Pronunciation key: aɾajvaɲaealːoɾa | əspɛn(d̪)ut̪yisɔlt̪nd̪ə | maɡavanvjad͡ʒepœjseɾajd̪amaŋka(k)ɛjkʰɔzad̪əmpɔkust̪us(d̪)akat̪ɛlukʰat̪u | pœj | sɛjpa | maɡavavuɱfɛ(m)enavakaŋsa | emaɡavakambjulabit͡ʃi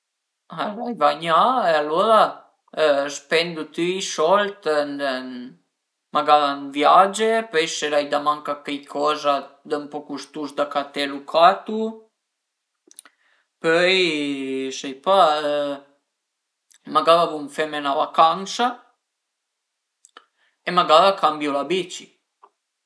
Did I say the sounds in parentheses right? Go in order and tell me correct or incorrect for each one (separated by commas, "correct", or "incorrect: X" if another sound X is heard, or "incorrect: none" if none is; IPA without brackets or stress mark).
correct, correct, correct, correct